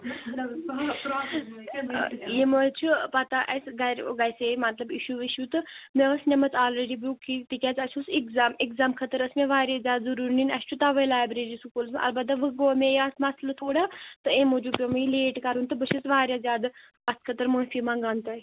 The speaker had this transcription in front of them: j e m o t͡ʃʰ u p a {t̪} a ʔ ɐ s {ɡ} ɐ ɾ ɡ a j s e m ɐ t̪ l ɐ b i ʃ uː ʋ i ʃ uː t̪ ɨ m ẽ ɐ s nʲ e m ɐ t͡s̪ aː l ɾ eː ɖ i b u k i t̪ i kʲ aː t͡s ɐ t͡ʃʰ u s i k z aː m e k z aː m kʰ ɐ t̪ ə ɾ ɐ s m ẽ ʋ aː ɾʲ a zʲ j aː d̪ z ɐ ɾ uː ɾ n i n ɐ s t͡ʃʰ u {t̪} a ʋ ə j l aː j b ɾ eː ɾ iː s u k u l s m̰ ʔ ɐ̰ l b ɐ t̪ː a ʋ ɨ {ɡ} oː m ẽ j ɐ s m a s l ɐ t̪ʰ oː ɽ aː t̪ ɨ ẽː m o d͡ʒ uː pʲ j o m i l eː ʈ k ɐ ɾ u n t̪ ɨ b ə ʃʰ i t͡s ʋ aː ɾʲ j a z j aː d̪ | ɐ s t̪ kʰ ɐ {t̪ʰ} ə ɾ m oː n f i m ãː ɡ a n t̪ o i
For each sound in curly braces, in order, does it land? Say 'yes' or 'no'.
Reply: yes, yes, yes, yes, no

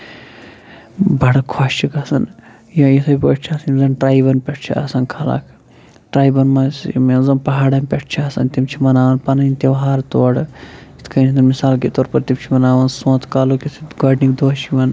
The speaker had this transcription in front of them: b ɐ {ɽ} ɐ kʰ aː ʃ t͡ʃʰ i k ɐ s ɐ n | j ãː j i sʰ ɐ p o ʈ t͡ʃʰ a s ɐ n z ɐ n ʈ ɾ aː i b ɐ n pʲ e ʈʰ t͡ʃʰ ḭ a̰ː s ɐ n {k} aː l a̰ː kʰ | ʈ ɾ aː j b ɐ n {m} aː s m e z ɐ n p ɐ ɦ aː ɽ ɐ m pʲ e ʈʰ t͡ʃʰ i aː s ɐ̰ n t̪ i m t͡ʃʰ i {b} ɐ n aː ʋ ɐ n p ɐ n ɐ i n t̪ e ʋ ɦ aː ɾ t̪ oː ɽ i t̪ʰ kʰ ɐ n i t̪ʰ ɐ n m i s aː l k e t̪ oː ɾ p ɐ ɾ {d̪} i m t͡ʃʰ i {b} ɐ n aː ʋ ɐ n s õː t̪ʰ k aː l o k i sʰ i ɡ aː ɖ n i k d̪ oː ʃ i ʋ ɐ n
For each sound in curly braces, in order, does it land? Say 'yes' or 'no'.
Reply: yes, no, yes, no, no, no

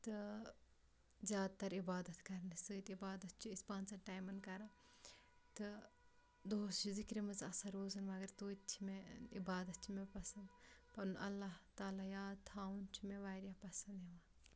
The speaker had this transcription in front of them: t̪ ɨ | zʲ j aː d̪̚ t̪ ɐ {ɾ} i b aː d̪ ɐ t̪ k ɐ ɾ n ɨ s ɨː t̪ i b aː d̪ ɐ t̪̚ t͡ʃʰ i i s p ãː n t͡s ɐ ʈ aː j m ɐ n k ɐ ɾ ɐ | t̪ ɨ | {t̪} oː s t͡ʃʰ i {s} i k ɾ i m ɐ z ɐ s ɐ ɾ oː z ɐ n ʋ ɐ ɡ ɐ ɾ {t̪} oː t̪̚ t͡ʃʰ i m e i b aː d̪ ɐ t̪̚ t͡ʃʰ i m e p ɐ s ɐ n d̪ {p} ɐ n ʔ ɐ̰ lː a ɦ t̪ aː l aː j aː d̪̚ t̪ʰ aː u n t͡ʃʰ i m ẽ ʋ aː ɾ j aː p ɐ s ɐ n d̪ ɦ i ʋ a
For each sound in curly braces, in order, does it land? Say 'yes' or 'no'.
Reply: yes, no, no, yes, yes

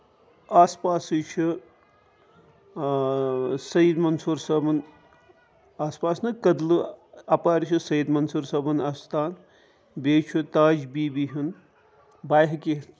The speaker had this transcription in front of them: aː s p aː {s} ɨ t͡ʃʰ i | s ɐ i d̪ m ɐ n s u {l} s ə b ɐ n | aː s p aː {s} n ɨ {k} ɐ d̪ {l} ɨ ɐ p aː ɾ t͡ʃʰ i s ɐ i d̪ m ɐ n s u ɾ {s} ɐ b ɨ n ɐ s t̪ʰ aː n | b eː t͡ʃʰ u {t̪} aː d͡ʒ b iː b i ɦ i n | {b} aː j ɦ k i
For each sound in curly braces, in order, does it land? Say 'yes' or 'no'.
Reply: yes, no, yes, yes, yes, yes, yes, yes

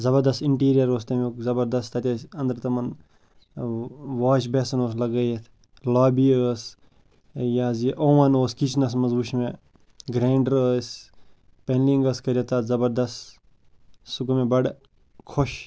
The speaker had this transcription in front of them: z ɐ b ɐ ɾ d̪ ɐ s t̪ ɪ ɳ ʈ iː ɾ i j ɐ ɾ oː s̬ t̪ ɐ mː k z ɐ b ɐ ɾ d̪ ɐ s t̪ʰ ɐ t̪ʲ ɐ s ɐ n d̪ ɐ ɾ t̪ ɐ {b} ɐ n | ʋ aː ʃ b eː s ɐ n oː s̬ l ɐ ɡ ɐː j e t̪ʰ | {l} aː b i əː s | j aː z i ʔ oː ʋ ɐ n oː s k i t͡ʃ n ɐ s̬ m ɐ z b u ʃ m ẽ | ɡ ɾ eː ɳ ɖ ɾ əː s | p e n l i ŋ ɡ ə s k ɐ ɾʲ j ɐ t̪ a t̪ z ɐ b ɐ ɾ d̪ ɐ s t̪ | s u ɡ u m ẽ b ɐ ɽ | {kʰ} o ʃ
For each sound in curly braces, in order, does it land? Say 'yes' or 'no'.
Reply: no, yes, yes

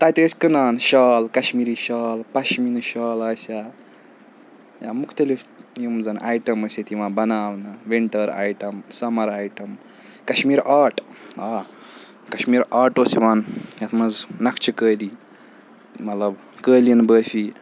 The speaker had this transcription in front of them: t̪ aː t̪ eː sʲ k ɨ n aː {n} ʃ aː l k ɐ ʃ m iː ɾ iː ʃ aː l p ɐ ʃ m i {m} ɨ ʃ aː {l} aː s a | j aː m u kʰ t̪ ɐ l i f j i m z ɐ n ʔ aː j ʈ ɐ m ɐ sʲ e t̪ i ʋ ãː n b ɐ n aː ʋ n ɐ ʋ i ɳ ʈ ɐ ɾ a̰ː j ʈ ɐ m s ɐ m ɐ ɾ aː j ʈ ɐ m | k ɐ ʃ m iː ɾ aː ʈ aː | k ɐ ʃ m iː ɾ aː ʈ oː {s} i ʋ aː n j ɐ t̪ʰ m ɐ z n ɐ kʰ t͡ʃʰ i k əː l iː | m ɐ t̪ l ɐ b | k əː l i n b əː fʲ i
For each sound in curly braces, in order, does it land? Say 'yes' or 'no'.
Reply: yes, no, yes, yes

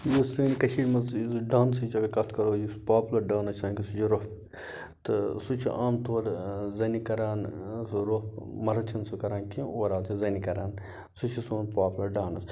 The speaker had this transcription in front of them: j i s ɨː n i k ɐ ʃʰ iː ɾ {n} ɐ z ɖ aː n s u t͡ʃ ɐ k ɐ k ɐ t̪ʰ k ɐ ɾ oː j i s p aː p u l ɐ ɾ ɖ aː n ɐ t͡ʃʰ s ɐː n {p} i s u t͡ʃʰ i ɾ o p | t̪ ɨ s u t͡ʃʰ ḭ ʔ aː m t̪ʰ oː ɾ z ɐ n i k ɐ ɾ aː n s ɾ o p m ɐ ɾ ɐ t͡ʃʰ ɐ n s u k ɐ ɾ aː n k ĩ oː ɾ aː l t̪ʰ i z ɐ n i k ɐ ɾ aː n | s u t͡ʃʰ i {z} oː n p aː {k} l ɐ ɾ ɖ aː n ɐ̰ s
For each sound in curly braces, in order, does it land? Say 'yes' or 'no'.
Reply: no, no, no, no

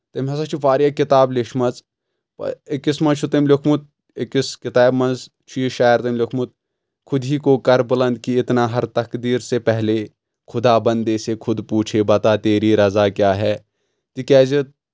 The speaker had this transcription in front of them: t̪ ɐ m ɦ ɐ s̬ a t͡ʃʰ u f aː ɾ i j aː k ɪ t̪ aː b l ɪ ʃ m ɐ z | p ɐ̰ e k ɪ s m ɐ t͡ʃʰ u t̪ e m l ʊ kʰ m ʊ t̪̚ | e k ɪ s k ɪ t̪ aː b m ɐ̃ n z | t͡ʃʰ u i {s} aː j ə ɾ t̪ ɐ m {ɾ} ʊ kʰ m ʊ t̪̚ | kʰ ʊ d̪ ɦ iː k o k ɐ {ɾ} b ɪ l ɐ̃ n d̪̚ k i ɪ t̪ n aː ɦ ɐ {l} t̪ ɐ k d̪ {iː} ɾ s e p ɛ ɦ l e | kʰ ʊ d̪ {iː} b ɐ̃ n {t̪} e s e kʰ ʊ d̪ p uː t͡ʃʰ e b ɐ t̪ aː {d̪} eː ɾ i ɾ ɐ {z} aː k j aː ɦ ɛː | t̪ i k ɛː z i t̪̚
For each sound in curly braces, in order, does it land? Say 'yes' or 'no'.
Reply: no, no, yes, no, yes, no, no, no, yes

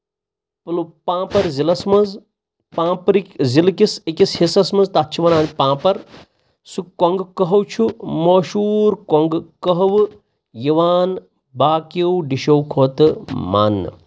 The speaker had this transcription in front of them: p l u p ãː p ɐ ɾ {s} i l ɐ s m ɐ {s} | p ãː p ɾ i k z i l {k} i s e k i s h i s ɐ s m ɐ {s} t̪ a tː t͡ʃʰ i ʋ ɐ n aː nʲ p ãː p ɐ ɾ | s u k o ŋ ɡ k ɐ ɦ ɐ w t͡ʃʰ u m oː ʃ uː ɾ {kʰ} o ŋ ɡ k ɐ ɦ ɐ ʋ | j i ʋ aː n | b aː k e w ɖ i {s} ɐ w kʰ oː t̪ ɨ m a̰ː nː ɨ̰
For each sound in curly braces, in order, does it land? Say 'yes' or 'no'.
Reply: no, no, yes, no, no, no

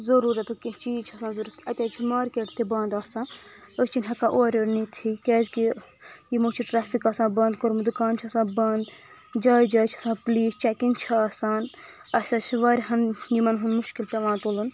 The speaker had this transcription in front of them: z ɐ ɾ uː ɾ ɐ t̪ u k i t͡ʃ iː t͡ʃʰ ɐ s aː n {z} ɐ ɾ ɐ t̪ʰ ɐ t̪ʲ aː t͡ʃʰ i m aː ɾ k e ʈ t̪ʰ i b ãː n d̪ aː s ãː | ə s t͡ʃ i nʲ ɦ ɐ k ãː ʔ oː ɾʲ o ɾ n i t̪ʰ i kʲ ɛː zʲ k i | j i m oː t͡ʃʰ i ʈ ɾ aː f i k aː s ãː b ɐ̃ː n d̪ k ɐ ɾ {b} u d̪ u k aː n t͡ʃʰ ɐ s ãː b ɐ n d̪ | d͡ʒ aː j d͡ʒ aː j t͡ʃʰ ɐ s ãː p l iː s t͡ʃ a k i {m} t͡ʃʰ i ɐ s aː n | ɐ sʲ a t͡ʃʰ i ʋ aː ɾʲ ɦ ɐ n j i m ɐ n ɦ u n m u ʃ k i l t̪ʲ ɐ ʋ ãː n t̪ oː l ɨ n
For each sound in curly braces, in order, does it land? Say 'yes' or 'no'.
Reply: yes, no, no

